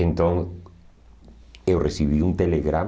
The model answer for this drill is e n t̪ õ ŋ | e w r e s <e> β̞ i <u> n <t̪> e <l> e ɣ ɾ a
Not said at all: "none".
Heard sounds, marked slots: i, u, t̪, l

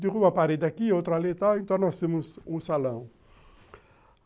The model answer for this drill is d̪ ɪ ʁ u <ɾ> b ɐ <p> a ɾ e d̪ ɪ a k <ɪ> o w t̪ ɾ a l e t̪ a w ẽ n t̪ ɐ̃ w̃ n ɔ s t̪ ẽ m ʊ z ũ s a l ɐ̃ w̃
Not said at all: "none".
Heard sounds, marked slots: none, p, i

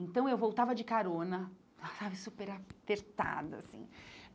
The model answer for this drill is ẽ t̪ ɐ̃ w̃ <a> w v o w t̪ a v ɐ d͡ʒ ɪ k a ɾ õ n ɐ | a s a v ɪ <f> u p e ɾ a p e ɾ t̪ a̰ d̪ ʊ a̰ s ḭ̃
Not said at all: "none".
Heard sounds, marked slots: e, s

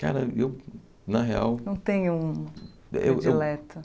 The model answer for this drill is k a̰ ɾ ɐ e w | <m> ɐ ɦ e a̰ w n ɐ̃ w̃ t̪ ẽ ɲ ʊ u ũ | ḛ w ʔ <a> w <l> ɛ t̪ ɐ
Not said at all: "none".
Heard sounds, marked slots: n, e, l

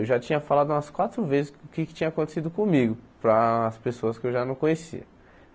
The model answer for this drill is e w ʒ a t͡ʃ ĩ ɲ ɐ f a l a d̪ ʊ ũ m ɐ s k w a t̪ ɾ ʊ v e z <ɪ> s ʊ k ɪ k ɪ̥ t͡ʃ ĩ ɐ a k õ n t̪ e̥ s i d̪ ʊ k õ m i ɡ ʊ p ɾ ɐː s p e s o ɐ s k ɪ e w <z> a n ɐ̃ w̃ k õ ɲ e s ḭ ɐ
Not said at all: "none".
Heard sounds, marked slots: ɪ, ʒ

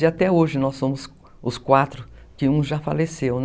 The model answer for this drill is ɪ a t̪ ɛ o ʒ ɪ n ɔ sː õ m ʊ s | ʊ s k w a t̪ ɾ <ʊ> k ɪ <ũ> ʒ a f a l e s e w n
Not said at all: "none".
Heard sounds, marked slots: ʊ, ũ

